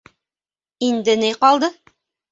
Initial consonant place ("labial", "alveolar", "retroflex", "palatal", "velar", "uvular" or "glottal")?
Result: alveolar